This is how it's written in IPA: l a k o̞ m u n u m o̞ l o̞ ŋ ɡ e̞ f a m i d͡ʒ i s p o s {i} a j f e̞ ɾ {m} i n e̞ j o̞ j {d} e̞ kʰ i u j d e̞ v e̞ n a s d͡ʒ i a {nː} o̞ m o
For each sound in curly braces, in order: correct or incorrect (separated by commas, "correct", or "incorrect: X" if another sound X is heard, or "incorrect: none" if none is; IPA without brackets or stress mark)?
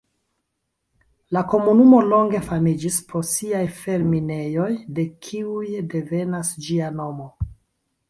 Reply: correct, correct, correct, incorrect: n